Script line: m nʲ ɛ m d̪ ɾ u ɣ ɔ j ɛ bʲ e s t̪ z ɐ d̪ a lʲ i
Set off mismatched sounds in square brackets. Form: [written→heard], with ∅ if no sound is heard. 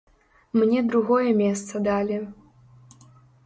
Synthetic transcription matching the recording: m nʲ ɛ [m→∅] d̪ ɾ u ɣ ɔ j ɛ [bʲ→mʲ] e s t̪ [z→s] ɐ d̪ a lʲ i